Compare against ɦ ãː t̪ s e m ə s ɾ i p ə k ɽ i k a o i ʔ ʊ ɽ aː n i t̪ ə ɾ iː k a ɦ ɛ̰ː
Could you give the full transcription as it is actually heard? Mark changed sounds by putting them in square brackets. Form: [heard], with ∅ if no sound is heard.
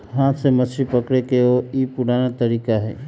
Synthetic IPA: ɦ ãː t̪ s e m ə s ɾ i p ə k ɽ [e] k [e] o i [p] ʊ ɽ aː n [a] t̪ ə ɾ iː k a ɦ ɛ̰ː